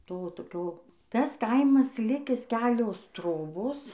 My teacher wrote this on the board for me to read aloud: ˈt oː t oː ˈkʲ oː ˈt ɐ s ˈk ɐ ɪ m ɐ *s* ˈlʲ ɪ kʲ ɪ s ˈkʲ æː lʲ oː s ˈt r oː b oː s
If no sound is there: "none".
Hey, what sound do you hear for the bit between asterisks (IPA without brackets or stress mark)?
s